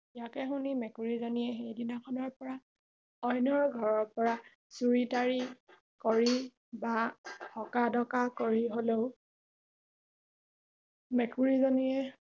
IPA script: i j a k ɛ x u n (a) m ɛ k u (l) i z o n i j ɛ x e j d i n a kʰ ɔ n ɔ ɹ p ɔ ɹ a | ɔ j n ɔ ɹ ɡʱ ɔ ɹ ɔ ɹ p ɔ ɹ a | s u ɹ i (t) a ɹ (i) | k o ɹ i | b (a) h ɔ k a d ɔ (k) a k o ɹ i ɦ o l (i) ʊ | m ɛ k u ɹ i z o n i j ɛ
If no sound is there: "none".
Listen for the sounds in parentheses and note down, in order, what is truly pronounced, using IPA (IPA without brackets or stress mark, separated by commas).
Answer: i, ɹ, t, i, a, k, e